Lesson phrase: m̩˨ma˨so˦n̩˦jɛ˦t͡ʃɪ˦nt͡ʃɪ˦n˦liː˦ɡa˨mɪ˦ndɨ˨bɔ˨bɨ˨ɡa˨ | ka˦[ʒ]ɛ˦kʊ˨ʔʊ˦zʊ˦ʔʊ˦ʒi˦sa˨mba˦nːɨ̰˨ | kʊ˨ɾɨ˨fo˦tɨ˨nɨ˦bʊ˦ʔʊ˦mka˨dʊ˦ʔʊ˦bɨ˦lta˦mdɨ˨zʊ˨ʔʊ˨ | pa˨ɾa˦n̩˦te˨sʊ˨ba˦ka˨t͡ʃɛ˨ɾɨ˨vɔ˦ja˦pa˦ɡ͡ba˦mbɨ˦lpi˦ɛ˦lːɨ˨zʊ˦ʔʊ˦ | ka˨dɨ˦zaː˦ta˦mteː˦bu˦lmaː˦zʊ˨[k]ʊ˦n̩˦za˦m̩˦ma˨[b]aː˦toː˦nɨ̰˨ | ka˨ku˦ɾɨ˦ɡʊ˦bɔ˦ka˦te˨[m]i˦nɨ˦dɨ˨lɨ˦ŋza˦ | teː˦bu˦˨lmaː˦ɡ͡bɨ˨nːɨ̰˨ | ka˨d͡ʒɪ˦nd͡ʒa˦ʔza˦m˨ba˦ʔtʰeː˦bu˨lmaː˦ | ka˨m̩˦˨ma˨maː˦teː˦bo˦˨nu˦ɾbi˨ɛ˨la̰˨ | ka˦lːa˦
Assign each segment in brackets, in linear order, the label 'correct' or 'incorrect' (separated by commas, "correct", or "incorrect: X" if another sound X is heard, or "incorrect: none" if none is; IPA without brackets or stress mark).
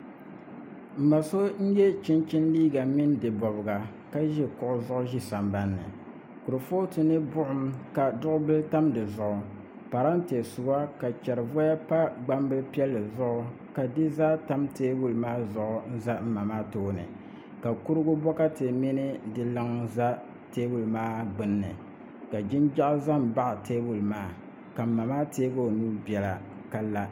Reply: correct, incorrect: ʔ, incorrect: m, correct